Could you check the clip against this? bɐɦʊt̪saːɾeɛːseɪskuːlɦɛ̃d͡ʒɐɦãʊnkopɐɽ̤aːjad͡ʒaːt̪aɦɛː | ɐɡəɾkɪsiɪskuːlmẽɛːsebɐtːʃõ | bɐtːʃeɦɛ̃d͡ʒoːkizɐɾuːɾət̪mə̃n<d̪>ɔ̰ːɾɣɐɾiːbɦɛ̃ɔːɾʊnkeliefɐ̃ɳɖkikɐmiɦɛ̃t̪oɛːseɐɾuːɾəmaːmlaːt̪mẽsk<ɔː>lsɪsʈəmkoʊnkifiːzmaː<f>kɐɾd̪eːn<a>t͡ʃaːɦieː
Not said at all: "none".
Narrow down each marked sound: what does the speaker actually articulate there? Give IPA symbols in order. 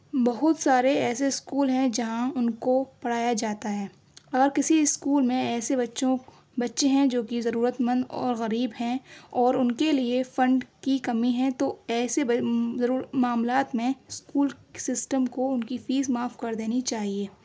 d̪, uː, f, i

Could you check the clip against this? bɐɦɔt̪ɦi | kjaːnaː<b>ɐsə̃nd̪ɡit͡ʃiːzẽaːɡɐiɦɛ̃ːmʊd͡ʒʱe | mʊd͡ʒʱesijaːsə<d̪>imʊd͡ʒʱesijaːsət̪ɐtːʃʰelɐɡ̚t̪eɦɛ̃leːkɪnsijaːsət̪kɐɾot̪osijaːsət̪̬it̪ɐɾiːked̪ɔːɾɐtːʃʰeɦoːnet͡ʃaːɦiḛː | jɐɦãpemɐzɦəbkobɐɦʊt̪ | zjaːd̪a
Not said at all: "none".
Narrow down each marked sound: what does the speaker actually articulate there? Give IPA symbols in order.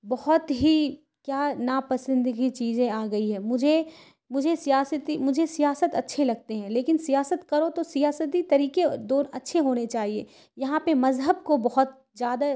p, t̪

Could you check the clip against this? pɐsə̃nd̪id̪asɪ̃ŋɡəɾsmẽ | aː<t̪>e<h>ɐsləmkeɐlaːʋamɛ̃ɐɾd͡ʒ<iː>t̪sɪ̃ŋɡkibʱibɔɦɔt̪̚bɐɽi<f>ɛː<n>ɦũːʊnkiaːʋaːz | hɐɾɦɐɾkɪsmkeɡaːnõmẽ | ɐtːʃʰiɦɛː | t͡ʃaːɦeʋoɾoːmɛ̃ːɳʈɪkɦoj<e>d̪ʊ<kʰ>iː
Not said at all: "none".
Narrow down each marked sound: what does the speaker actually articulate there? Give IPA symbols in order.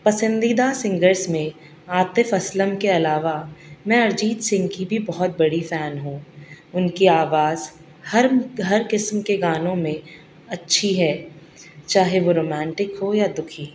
t̪, f, iː, f, n, a, kʰ

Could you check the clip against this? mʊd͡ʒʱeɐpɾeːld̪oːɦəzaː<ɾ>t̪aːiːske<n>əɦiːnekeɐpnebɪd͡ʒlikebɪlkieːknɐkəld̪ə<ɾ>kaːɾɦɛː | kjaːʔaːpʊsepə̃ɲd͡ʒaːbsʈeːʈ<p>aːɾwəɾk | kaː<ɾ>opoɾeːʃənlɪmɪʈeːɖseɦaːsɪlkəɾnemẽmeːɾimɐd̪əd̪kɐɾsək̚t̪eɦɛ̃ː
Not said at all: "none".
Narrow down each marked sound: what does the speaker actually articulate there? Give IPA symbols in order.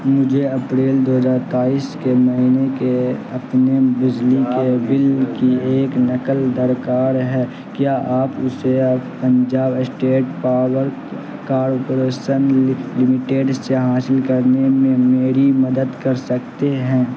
ɾ, m, ɾ, p, ɾ

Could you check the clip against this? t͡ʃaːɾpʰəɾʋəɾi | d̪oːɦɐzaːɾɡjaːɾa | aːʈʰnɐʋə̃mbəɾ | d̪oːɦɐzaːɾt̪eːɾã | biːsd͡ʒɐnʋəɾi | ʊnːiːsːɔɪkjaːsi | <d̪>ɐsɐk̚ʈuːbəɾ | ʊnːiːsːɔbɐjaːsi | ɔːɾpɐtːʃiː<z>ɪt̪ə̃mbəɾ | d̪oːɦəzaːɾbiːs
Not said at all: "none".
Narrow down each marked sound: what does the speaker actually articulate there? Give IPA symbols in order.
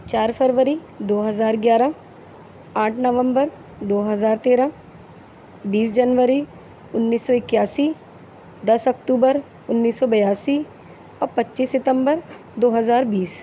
d̪, s

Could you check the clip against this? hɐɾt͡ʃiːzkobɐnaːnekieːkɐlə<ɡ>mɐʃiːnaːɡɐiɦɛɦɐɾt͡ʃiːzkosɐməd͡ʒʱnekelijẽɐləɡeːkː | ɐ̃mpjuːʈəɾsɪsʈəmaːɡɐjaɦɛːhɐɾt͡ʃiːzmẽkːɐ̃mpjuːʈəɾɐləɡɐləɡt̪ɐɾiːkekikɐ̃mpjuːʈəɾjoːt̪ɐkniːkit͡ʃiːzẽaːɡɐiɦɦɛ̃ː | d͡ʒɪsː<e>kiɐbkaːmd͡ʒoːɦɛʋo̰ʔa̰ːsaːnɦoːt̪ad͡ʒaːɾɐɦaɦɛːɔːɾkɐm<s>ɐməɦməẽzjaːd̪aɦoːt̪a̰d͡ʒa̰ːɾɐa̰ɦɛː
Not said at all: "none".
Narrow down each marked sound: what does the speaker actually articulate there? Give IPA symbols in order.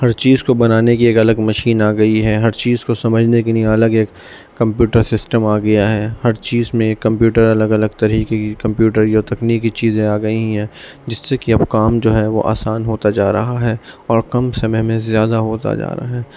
ɡ, e, s

